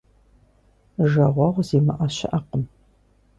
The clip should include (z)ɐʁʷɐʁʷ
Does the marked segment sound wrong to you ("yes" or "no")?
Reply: yes